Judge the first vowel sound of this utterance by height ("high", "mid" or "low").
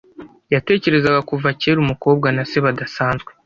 low